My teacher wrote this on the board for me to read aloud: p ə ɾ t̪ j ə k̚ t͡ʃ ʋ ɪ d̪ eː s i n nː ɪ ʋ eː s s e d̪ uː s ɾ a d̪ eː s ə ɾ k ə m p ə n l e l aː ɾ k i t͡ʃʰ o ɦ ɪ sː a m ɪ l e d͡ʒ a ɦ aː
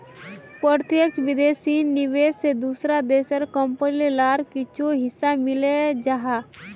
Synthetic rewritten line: p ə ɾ t̪ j ə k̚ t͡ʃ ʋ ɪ d̪ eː s i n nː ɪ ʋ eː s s e d̪ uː s ɾ a d̪ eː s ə ɾ k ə m p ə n l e l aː ɾ k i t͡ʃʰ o ɦ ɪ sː a m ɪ l e d͡ʒ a ɦ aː